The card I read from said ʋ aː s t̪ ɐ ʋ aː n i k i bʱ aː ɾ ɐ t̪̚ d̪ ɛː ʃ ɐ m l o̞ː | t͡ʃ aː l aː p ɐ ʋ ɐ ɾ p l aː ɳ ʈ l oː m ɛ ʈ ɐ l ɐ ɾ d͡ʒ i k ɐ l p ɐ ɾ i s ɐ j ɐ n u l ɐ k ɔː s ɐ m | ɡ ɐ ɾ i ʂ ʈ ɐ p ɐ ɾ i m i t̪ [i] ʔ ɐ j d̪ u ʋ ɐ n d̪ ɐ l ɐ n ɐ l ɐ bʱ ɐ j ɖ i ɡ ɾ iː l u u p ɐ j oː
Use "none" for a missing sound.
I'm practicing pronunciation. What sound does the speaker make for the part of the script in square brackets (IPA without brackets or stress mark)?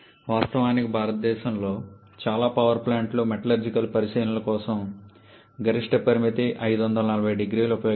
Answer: i